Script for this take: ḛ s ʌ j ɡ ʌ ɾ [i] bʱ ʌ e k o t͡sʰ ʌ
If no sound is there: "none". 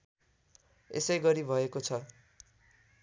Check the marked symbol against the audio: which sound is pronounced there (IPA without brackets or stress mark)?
i